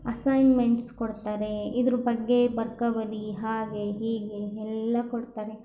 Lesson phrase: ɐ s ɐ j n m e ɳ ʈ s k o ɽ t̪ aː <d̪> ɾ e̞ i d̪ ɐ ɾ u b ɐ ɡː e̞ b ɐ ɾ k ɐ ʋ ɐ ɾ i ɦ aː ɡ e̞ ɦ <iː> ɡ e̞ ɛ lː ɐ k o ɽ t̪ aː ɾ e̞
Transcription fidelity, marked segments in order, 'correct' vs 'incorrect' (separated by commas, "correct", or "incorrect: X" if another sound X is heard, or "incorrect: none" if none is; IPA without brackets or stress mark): incorrect: none, correct